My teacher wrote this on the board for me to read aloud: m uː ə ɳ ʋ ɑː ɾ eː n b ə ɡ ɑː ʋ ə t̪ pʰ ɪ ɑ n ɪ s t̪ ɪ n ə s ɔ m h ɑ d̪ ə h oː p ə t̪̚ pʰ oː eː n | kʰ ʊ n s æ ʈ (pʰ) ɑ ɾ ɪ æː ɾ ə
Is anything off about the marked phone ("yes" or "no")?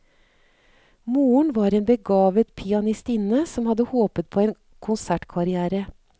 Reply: yes